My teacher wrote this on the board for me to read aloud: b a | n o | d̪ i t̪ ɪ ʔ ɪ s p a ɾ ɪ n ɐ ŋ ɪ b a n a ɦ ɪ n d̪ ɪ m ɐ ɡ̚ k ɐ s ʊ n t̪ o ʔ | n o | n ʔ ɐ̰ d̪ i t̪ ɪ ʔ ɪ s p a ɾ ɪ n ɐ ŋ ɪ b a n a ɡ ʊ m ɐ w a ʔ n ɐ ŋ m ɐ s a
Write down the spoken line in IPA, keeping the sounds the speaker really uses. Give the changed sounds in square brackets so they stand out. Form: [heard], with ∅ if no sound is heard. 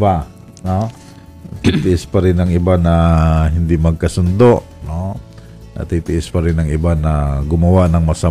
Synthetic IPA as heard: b a | n o | [t̪] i t̪ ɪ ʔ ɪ s p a ɾ ɪ n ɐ ŋ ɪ b a n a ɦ ɪ n d̪ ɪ m ɐ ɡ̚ k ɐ s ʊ n [d̪] o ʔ | n o | n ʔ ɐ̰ [t̪] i t̪ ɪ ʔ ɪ s p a ɾ ɪ n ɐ ŋ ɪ b a n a ɡ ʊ m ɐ w a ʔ n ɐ ŋ m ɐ s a